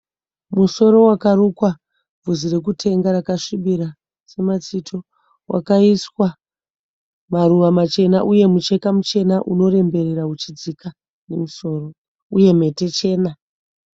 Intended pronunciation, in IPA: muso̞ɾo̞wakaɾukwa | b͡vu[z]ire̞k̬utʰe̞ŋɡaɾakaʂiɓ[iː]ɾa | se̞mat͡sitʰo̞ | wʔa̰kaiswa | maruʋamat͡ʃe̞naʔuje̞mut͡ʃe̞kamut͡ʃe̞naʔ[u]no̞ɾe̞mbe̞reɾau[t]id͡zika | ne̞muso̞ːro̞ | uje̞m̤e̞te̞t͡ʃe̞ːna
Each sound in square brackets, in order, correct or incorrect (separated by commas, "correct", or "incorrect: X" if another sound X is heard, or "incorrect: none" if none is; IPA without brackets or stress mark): correct, incorrect: i, correct, incorrect: t͡ʃ